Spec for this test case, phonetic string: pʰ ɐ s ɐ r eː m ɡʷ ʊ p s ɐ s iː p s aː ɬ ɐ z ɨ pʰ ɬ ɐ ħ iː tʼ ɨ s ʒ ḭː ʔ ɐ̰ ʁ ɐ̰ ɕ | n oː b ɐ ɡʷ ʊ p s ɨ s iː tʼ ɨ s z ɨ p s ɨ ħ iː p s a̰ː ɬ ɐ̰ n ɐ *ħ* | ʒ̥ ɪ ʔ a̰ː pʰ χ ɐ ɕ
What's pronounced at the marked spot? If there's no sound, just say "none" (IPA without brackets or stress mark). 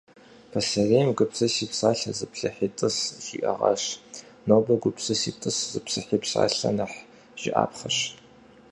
ħ